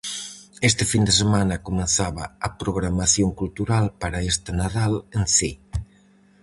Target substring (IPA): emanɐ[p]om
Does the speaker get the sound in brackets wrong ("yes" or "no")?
yes